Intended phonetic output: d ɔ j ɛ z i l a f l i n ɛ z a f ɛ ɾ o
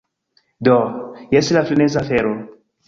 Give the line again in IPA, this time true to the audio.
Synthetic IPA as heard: d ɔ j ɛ s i l a f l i n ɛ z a f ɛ ɾ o

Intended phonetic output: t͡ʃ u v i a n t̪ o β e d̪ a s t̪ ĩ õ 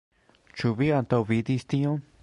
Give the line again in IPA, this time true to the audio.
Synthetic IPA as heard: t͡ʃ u β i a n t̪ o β i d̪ i s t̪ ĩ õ

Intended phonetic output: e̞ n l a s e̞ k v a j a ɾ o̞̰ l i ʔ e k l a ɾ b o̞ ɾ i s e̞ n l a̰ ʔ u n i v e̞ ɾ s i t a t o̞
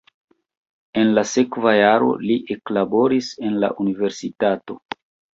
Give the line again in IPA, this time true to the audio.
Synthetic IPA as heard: e̞ n l a s e̞ k v a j a ɾ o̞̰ l i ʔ e k l a b o̞ ɾ i s e̞ n l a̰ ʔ u n i v e̞ ɾ s i t a t o̞

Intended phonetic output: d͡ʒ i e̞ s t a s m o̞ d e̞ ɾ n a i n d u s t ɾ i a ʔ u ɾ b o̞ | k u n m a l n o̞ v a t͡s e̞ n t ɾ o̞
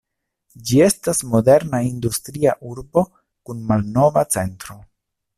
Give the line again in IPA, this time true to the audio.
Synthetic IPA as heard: d͡ʒ i e̞ s t a s m o̞ d e̞ ɾ n a i n d u s t ɾ i a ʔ u ɾ b o̞ | k u n m a l n o̞ v a t͡s e̞ n t ɾ o̞

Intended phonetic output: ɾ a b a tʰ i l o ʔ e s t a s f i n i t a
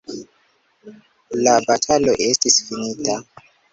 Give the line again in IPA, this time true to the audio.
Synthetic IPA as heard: l a b a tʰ a l o ʔ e s t i s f i n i t a

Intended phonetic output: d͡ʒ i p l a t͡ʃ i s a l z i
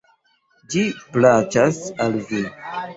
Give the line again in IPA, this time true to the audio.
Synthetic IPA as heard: d͡ʒ i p l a t͡ʃ a s a l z i

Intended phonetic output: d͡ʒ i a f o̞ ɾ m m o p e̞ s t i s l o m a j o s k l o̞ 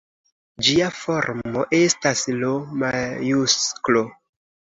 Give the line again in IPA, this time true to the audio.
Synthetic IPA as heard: d͡ʒ i a f o̞ ɾ m m o ʔ e̞ s t a s l o m a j u s k l o̞

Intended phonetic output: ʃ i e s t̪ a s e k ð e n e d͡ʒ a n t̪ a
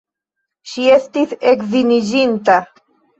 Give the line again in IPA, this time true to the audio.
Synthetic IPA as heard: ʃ i e s t̪ i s e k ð i n i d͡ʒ i n t̪ a

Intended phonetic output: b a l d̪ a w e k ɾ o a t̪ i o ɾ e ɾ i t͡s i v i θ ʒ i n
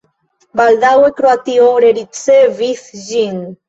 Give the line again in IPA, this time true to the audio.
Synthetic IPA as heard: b a l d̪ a w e k ɾ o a t̪ i o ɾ e ɾ i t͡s e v i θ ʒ i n

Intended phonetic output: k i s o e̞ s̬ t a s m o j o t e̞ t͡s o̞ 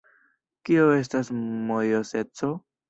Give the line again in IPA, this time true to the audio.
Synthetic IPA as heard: k i o e̞ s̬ t a s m o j o s e̞ t͡s o̞

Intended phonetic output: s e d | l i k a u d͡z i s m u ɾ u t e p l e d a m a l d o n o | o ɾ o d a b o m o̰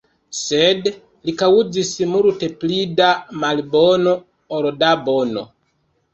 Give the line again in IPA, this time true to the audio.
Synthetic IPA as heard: s e d | l i k a u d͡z i s m u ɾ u t e p l i d a m a l b o n o | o ɾ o d a b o n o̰

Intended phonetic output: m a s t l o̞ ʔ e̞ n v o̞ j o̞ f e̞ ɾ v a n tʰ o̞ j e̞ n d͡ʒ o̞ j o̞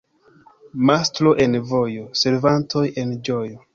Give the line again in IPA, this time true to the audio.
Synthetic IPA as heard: m a s t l o̞ ʔ e̞ n v o̞ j o̞ s e̞ ɾ v a n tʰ o̞ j e̞ n d͡ʒ o̞ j o̞

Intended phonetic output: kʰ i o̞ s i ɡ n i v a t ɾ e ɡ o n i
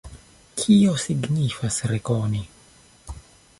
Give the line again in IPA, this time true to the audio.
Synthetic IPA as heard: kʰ i o̞ s i ɡ n i f a s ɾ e k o n i

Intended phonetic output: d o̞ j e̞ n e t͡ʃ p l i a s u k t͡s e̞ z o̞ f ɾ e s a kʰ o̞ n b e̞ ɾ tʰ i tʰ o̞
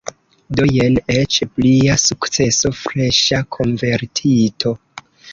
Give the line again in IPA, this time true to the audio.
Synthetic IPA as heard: d o̞ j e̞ n e t͡ʃ p l i a s u k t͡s e̞ s o̞ f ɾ e ʃ a kʰ o̞ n v e̞ ɾ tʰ i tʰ o̞

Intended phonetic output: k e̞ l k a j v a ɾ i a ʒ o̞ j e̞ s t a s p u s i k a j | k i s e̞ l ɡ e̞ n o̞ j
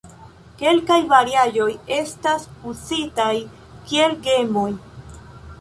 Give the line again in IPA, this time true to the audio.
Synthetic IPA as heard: k e̞ l k a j v a ɾ i a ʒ o̞ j e̞ s t a s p u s i t a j | k i e̞ l ɡ e̞ m o̞ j

